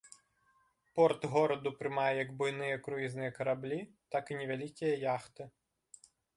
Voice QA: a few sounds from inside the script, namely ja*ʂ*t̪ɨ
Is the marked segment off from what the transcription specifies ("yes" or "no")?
yes